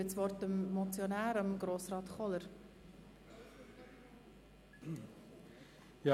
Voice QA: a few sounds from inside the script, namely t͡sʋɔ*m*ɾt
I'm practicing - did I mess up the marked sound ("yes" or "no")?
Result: yes